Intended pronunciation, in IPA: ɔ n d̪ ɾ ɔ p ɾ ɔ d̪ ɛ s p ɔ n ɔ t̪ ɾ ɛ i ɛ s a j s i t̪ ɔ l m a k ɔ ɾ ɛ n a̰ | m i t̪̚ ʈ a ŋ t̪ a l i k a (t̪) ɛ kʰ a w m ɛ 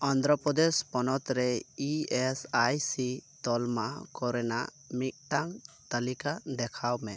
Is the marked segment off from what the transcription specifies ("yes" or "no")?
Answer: yes